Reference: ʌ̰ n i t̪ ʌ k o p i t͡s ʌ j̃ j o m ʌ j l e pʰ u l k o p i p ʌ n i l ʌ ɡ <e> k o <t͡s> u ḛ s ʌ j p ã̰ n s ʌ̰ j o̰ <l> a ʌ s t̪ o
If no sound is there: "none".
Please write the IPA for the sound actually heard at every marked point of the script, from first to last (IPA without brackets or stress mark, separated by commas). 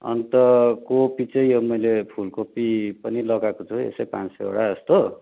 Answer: a, t͡sʰ, ɽ